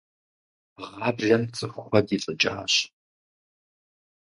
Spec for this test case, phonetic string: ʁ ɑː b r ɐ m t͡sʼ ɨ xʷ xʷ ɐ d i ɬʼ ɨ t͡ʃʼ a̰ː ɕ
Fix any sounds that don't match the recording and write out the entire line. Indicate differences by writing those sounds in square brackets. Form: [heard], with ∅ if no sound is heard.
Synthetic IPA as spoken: ʁ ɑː b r ɐ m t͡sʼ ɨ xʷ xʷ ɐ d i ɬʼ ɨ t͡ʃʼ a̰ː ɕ